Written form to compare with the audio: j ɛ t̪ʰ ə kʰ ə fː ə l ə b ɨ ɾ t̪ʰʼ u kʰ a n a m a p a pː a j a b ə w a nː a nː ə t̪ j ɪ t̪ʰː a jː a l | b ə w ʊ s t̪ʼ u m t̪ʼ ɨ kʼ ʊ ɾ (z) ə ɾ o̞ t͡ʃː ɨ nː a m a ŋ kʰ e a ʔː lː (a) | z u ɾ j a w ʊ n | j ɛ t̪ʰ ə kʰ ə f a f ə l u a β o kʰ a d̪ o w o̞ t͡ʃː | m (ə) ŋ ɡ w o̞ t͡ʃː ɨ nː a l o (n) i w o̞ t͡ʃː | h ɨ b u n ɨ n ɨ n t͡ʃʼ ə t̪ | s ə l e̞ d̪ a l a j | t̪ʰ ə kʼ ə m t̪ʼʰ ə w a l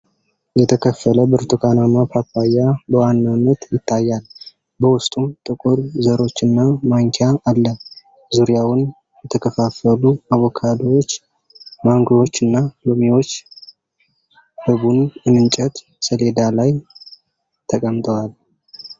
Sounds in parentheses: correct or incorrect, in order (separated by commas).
correct, incorrect, incorrect, incorrect